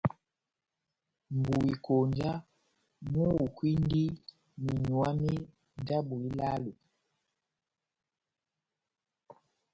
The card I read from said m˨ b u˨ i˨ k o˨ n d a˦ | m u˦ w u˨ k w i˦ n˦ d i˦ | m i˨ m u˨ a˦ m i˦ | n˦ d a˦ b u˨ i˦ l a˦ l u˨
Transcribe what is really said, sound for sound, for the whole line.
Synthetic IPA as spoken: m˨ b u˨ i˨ k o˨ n d͡ʒ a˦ | m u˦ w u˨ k w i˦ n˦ d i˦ | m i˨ ɲ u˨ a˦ m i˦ | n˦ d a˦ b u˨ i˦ l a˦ l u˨

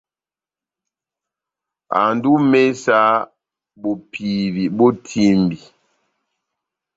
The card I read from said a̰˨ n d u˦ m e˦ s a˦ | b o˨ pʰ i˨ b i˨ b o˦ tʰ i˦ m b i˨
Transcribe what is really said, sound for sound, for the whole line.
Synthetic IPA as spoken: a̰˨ n d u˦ m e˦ s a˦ | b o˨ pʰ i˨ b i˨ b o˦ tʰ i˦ m b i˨

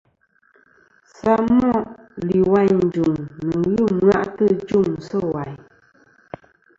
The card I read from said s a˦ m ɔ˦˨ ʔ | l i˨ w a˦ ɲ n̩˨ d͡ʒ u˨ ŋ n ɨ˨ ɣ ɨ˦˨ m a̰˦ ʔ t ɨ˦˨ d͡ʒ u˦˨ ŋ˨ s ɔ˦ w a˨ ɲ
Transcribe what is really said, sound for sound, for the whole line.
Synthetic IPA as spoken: s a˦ m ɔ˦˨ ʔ | l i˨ w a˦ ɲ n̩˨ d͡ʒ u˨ ŋ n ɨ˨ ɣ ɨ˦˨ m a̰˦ ʔ t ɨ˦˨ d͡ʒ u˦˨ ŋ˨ s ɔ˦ w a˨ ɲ

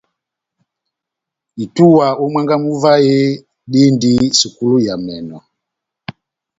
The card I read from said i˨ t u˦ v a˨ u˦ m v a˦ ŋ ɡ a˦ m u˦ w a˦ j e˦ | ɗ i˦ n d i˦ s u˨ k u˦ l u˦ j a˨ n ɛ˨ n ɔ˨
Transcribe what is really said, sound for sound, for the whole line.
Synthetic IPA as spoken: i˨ t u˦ w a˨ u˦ m w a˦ ŋ ɡ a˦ m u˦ v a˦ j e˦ | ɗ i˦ n d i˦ s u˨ k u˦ l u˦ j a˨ m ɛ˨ n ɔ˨

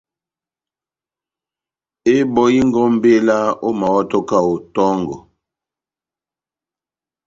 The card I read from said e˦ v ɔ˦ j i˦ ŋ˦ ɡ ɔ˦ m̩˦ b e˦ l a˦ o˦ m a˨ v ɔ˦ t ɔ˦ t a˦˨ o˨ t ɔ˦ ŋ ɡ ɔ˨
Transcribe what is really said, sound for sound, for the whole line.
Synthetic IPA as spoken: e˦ b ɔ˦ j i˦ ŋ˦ ɡ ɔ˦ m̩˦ b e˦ l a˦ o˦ m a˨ w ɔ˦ t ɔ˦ k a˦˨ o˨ t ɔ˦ ŋ ɡ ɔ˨

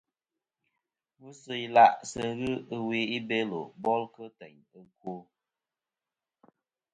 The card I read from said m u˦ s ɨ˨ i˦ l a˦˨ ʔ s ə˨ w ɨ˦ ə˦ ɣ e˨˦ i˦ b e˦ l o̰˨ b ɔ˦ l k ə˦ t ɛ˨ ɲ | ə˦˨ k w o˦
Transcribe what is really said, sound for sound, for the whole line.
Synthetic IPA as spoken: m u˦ s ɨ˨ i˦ l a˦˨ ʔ s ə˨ ɣ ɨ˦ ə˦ w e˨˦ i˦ b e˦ l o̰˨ b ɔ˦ l k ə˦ t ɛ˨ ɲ | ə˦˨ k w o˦

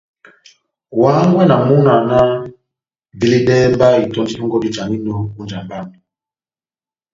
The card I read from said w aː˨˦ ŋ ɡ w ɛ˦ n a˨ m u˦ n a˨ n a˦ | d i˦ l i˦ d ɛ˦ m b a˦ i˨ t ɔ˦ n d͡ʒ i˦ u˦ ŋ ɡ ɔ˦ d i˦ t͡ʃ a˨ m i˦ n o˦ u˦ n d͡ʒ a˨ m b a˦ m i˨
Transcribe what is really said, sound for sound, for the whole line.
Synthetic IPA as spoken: w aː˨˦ ŋ ɡ w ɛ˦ n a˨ m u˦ n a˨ n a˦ | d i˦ l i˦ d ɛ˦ m b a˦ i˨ t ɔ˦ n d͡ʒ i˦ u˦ ŋ ɡ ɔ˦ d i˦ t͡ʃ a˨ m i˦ n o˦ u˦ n d͡ʒ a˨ m b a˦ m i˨

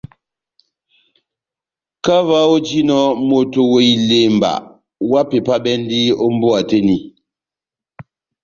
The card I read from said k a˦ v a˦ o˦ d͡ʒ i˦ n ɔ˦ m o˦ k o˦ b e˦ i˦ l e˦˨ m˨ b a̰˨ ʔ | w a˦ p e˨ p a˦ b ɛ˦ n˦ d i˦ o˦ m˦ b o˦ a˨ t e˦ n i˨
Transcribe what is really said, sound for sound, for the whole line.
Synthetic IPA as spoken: k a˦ v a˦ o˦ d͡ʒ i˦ n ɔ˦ m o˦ t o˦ w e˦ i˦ l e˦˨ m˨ b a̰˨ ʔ | w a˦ p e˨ p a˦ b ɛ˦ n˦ d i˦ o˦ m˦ b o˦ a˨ t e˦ n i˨

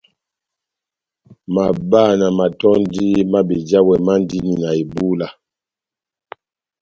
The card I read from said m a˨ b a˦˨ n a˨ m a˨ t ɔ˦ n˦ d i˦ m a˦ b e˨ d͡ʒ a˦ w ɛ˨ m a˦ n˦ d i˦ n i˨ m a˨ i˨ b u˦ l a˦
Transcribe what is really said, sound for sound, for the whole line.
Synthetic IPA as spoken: m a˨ b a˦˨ n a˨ m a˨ t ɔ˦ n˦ d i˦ m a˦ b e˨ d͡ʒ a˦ w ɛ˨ m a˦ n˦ d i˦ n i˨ n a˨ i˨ b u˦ l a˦

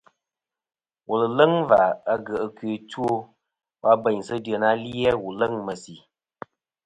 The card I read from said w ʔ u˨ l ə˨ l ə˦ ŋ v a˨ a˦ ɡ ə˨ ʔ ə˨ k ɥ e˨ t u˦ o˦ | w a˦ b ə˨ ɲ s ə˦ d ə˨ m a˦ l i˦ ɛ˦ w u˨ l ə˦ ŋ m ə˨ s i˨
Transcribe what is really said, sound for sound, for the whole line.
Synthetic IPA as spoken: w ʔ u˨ l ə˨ l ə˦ ŋ v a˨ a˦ ɡ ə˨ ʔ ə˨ k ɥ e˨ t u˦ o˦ | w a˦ b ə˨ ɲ s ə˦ d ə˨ n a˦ l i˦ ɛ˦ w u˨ l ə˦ ŋ m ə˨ s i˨

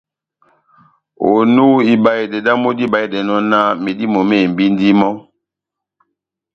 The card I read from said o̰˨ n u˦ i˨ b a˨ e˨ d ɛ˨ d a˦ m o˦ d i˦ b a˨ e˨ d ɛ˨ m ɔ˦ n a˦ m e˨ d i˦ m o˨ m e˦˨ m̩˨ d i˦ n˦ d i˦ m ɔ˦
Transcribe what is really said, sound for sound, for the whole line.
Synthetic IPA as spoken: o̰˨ n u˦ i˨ b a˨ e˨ d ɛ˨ d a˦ m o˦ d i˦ b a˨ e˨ d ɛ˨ n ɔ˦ n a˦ m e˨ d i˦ m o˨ m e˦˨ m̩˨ b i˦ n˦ d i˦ m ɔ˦

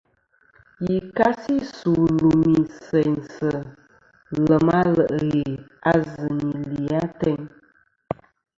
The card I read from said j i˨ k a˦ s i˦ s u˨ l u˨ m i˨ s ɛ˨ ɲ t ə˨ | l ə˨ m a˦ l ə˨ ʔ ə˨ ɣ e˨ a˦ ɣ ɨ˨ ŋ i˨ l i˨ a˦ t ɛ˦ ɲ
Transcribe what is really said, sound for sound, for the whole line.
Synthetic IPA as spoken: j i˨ k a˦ s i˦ s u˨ l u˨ m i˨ s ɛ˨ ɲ s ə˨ | l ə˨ m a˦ l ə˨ ʔ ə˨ ɣ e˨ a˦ z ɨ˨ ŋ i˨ l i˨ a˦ t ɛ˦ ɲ

